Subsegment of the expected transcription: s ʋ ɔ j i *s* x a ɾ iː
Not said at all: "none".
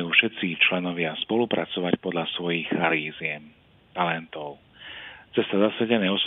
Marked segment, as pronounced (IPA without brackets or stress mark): x